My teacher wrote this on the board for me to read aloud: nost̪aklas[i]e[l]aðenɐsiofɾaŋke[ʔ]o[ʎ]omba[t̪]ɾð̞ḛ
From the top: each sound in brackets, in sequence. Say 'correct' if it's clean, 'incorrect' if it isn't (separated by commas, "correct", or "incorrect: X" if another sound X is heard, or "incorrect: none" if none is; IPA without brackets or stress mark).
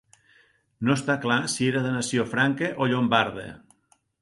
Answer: correct, incorrect: ɾ, correct, correct, incorrect: none